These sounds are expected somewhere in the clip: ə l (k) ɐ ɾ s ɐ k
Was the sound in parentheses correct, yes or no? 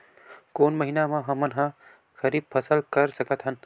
yes